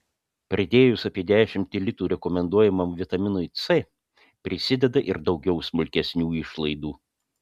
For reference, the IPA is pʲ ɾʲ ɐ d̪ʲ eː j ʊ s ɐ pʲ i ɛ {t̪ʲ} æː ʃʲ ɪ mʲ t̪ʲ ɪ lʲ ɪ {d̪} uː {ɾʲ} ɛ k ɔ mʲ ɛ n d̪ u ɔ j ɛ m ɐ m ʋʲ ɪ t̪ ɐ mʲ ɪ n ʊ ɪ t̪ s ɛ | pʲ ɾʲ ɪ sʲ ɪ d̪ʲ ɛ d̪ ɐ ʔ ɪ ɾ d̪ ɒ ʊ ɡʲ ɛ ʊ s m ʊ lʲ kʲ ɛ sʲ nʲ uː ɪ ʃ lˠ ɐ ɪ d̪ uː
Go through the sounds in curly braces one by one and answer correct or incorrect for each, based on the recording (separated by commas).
incorrect, incorrect, correct